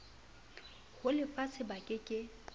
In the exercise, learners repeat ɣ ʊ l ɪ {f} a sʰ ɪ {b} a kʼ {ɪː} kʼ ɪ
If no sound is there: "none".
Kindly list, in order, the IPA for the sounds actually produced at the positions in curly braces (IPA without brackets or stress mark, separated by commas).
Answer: f, b, ɪ